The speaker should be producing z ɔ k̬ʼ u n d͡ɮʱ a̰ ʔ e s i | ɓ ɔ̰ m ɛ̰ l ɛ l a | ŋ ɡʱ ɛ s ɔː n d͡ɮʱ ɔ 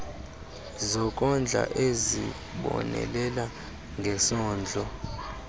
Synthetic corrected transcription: z ɔ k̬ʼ ɔ n d͡ɮʱ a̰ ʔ e z i | ɓ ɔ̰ n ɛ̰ l ɛ l a | ŋ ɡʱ ɛ s ɔː n d͡ɮʱ ɔ